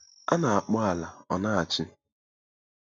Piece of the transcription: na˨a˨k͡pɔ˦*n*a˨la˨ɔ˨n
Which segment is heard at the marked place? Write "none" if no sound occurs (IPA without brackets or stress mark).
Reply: none